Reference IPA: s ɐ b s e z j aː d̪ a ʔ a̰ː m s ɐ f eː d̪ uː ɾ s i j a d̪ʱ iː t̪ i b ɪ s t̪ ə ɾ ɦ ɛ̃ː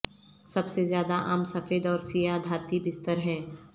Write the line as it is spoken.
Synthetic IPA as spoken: s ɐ b s e z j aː d̪ a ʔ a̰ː m s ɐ f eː d̪ ɔː ɾ s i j a d̪ʱ aː t̪ i b ɪ s t̪ ə ɾ ɦ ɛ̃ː